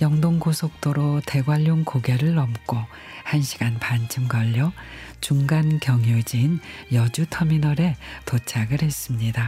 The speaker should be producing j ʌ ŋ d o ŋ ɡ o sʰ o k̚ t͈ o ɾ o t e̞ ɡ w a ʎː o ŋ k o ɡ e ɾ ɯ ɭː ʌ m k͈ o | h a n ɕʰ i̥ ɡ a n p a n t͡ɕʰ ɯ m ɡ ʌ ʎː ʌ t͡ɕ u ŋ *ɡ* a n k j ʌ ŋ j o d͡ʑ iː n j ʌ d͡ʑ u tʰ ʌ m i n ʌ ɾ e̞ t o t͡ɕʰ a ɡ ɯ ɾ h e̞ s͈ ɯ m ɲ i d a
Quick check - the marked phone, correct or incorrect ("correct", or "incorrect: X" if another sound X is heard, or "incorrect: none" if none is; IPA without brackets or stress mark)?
correct